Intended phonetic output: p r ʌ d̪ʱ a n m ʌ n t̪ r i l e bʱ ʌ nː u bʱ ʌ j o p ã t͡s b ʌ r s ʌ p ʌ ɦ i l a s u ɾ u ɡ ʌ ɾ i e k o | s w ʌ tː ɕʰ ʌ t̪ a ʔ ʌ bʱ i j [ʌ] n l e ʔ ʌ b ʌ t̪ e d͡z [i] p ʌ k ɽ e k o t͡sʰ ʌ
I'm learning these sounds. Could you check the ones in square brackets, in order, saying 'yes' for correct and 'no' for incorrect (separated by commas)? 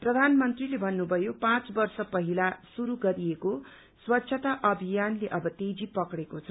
no, yes